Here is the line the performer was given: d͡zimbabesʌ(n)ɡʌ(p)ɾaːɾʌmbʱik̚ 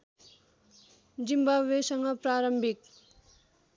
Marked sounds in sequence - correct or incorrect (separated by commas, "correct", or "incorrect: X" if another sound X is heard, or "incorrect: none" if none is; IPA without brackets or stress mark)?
incorrect: ŋ, correct